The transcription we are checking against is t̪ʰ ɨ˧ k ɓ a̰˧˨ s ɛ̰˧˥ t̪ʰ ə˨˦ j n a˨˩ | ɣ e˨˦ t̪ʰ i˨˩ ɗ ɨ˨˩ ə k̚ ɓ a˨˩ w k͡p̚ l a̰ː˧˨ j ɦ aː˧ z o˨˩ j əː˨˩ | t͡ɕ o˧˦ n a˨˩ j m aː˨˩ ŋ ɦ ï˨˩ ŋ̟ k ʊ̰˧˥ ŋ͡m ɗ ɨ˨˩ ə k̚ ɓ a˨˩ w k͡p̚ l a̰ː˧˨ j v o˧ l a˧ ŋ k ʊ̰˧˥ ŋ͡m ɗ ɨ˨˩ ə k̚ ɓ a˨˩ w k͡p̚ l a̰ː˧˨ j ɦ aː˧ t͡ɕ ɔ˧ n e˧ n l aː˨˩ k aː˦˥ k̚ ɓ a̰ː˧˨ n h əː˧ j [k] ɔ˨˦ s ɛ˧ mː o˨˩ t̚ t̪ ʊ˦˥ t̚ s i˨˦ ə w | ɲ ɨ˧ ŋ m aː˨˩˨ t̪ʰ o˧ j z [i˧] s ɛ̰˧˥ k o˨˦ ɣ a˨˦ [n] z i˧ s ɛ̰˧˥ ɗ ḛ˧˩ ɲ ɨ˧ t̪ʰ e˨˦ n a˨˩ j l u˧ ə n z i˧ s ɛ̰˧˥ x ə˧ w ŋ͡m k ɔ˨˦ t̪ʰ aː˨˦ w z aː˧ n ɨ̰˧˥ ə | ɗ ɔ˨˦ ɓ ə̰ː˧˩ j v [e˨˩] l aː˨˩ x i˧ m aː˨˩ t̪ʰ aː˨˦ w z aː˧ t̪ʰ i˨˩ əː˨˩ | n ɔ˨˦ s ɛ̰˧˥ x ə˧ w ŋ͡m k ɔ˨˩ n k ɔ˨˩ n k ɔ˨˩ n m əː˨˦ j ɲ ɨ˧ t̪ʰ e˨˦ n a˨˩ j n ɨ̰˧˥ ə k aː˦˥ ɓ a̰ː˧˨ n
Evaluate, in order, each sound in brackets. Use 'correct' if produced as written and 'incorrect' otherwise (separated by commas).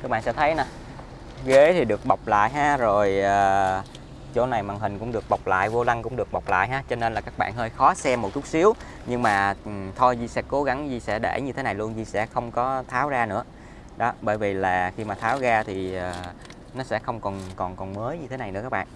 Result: incorrect, correct, incorrect, incorrect